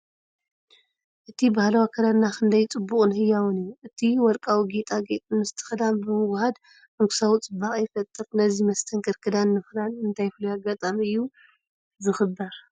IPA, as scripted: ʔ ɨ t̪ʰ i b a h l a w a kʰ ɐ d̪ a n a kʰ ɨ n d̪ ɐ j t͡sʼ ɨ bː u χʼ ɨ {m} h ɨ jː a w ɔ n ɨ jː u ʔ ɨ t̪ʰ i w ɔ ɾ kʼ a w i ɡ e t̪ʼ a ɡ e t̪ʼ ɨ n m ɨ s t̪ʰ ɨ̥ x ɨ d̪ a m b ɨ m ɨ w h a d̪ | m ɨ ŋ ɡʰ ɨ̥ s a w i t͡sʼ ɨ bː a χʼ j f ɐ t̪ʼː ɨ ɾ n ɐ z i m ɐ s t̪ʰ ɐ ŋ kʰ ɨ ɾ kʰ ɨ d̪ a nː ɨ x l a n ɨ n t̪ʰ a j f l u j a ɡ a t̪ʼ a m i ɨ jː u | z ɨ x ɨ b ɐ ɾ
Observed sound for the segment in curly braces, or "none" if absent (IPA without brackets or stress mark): n